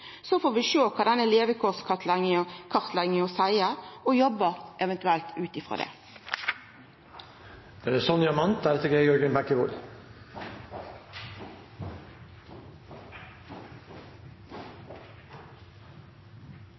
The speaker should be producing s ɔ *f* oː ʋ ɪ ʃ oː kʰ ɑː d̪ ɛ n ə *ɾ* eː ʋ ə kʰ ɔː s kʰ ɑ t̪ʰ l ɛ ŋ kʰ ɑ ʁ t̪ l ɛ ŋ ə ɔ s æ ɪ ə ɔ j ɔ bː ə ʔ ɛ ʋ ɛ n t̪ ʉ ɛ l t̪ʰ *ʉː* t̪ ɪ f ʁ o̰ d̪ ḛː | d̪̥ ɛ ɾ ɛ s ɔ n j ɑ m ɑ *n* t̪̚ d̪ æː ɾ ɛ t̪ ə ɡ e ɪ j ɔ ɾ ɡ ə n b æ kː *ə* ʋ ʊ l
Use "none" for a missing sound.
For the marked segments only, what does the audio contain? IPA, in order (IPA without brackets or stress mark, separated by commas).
f, l, ʉː, n, ə